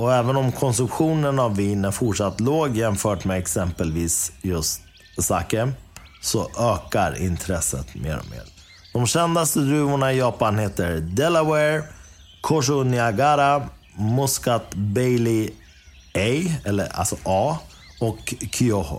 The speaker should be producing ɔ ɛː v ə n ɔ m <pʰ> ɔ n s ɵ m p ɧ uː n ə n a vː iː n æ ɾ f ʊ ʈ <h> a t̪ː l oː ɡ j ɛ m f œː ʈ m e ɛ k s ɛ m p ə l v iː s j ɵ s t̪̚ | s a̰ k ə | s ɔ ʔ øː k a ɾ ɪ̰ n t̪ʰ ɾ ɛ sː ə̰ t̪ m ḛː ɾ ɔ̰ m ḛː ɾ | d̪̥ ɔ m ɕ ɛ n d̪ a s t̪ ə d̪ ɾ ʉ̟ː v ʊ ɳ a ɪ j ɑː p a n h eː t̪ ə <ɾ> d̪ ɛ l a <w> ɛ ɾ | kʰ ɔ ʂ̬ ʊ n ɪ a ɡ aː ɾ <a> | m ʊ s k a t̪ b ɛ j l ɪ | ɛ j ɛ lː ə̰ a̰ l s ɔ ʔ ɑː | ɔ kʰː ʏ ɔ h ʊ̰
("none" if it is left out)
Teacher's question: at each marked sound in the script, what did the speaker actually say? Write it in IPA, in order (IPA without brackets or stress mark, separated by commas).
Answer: kʰ, ʂ, ɾ, w, a